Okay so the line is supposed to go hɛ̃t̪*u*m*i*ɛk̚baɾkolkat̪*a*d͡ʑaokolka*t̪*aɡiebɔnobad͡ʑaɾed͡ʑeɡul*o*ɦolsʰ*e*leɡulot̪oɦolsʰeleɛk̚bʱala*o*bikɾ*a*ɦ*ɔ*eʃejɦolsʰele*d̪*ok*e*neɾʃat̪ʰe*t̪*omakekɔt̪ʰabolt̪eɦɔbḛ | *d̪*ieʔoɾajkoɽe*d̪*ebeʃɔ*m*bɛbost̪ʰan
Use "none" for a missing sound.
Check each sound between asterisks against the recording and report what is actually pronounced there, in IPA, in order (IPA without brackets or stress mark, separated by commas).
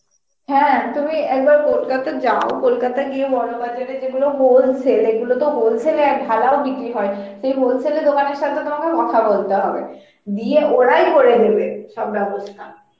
u, i, a, t̪, o, e, o, i, ɔ, d̪, a, t̪, d̪, d̪, b